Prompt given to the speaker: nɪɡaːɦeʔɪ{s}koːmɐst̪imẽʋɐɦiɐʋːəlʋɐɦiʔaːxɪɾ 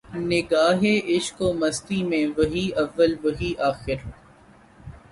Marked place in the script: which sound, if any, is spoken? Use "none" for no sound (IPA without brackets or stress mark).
ʃ